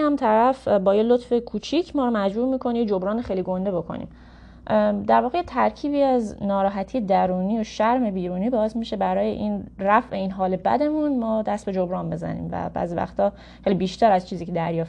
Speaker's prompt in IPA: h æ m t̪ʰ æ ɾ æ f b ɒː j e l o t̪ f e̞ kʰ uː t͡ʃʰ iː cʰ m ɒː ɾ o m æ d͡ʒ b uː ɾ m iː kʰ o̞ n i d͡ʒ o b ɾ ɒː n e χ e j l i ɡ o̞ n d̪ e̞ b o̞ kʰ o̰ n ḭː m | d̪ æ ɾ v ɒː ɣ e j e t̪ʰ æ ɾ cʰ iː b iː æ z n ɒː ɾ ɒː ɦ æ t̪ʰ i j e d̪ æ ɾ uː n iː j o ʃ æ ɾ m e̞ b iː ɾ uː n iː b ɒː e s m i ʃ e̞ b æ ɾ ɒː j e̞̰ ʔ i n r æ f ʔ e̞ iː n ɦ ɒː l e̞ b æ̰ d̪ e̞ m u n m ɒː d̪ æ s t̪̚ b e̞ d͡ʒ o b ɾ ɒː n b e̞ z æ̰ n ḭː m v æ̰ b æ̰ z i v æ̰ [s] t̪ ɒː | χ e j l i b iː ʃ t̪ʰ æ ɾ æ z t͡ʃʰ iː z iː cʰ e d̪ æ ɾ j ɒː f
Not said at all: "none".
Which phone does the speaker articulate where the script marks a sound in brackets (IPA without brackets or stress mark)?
x